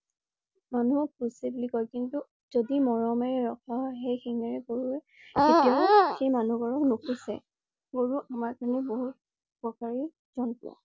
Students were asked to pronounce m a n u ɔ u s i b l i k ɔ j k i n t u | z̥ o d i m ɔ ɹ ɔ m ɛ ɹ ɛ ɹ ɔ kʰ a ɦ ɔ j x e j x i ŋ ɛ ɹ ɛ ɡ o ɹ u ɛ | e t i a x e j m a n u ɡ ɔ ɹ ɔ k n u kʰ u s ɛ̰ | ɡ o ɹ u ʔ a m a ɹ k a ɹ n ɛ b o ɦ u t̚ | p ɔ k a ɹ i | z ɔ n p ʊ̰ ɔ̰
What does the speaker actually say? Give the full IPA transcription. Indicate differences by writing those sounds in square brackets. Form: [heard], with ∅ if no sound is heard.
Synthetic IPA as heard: m a n u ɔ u s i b l i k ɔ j k i n t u | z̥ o d i m ɔ ɹ ɔ m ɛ ɹ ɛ ɹ ɔ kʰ a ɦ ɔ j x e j x i ŋ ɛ ɹ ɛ ɡ o ɹ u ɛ | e t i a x e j m a n u ɡ ɔ ɹ ɔ k n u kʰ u s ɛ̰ | ɡ o ɹ u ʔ a m a ɹ k a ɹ n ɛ b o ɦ u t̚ | p ɔ k a ɹ i | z ɔ n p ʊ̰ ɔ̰